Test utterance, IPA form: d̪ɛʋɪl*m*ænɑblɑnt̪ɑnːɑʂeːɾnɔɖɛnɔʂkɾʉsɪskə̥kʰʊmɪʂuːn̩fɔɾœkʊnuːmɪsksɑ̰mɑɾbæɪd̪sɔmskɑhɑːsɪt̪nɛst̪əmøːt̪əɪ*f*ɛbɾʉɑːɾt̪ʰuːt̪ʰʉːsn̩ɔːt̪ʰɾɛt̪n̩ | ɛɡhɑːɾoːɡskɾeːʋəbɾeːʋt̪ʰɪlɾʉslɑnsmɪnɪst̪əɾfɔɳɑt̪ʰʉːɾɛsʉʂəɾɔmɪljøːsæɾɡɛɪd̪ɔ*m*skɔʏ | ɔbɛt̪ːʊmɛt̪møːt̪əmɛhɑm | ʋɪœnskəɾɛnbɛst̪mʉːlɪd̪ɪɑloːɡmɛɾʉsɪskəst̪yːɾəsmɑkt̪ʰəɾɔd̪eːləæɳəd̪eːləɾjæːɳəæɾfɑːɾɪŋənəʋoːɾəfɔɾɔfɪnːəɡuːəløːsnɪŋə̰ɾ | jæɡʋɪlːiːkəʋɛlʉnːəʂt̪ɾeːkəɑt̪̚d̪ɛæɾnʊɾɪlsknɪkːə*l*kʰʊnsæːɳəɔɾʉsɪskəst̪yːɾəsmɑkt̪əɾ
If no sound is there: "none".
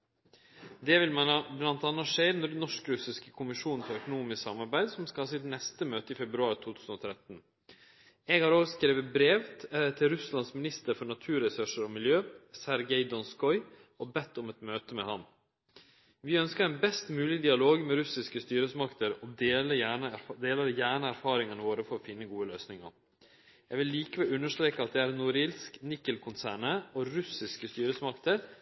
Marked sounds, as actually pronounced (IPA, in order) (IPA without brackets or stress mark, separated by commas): m, f, n, l